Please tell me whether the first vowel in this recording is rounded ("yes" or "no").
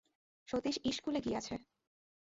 yes